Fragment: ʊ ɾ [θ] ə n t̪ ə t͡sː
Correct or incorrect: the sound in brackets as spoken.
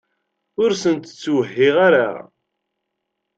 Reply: incorrect: s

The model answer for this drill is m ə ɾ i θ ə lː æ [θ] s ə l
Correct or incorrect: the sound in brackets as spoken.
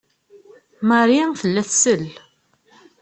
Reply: correct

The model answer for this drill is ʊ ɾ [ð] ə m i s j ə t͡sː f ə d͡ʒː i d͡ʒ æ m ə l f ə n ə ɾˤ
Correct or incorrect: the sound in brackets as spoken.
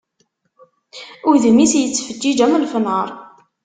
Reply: correct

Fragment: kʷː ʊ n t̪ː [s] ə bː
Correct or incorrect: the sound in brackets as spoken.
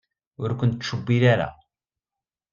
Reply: incorrect: ʃ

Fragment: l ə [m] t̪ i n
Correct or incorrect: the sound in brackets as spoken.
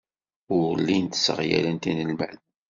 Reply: incorrect: n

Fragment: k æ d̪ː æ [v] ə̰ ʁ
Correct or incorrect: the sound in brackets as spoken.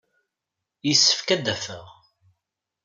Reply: incorrect: f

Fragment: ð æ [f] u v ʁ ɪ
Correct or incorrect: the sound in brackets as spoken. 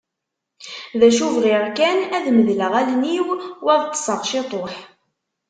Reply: incorrect: ʃ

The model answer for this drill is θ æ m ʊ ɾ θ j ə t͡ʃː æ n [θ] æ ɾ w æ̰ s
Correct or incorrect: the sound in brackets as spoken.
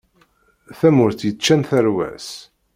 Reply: correct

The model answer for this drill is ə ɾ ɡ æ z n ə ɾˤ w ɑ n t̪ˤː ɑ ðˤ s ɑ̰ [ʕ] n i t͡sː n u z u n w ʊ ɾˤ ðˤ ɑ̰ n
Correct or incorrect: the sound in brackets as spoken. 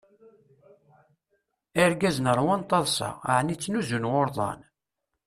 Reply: correct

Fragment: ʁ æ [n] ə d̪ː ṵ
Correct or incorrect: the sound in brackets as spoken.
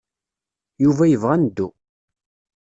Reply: correct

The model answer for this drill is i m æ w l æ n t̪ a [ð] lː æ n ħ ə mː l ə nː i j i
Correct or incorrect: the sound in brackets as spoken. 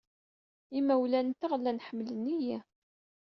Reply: incorrect: ʁ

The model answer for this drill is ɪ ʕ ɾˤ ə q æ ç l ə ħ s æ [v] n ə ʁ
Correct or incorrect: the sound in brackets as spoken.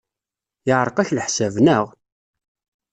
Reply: correct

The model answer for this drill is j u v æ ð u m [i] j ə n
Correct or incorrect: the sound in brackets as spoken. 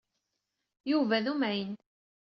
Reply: incorrect: æ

